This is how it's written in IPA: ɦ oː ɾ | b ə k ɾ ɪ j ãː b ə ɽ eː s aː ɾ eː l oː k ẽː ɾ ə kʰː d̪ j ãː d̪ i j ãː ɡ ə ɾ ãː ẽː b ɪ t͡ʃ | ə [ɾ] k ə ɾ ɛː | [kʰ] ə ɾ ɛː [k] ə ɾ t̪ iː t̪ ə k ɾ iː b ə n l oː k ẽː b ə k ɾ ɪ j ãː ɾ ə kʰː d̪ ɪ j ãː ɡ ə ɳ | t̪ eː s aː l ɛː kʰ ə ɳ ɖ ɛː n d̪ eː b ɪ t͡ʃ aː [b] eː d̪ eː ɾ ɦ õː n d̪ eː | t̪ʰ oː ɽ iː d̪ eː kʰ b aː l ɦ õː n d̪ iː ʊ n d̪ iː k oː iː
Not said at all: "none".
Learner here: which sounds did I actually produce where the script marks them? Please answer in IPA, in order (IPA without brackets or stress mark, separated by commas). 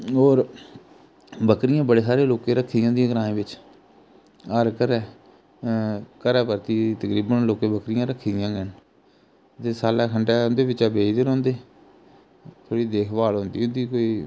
ɾ, k, p, b